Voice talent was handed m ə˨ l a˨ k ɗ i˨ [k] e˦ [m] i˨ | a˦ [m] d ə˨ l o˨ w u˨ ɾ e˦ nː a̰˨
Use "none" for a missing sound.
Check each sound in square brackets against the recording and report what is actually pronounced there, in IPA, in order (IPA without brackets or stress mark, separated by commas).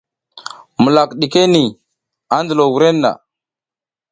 k, n, n